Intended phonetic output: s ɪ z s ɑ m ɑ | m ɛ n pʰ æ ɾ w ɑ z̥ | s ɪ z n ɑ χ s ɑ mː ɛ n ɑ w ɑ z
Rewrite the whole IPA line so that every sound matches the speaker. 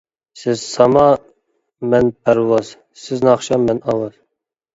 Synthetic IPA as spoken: s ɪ z s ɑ m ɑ | m ɛ n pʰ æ ɾ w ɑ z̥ | s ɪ z n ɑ χ ʃ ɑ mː ɛ n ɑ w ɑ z